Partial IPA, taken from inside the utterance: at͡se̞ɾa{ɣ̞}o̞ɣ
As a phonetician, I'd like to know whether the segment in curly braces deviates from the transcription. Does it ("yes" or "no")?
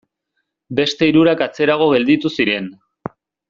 no